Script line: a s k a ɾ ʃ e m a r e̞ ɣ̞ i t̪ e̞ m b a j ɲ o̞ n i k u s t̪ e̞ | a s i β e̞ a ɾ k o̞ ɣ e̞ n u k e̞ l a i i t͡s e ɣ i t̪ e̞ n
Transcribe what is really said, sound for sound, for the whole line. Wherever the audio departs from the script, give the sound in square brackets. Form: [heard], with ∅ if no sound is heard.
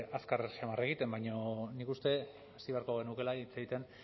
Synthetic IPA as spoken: a s k a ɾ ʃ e m a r e̞ ɣ̞ i t̪ e̞ m b a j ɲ o̞ n i k u s t̪ e̞ | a s i β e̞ a ɾ k o̞ ɣ e̞ n u k e̞ l a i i t͡s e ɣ i t̪ e̞ n